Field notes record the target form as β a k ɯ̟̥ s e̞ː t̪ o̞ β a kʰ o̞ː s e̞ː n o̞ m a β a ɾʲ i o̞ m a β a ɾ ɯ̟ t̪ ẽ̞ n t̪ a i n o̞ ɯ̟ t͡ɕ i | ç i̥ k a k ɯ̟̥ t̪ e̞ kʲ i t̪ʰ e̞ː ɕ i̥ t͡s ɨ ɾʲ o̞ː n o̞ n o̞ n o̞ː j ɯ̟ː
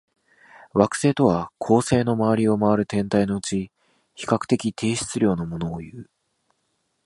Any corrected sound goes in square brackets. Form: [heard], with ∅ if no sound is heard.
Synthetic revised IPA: β a k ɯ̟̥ s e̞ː t̪ o̞ β a kʰ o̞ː s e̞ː n o̞ m a β a ɾʲ i o̞ m a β a ɾ ɯ̟ t̪ ẽ̞ n t̪ a i n o̞ ɯ̟ t͡ɕ i | ç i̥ k a k ɯ̟̥ t̪ e̞ kʲ i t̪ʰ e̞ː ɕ i̥ t͡s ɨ ɾʲ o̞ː n o̞ [m] o̞ n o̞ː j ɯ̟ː